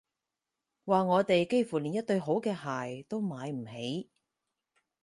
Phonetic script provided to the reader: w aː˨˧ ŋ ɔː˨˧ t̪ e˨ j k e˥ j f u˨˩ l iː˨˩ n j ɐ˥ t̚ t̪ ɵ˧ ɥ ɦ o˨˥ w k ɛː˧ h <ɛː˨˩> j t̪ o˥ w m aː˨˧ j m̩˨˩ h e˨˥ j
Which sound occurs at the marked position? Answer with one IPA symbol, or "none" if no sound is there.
aː˨˩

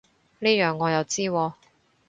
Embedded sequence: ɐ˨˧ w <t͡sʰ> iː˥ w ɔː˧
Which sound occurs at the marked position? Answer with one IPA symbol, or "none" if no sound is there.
t͡s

